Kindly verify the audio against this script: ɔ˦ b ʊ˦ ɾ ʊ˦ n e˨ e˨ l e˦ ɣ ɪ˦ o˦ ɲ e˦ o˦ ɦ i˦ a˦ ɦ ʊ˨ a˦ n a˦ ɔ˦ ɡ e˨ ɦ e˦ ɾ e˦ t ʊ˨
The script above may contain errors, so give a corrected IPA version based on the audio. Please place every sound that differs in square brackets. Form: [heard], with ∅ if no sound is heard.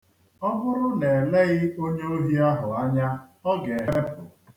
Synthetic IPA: ɔ˦ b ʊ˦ ɾ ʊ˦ n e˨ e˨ l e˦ ɣ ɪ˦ o˦ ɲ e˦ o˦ ɦ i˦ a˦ ɦ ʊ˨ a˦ [ɲ] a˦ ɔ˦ ɡ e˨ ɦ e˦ ɾ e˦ [p] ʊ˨